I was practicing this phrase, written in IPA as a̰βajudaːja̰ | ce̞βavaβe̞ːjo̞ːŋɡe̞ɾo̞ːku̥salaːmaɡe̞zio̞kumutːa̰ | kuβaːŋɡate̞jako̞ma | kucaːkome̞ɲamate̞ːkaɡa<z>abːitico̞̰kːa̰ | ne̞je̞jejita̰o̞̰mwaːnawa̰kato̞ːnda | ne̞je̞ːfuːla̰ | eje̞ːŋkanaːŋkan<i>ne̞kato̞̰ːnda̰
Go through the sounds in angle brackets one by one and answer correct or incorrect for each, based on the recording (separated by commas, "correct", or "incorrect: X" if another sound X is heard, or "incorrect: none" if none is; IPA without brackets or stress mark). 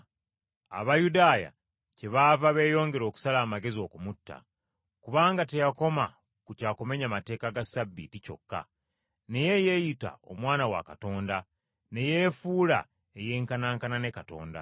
incorrect: s, incorrect: a